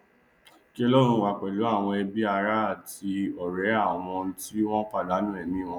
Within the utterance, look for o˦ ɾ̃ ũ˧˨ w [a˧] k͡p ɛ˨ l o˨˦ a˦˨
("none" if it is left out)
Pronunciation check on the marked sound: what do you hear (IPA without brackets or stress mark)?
a˧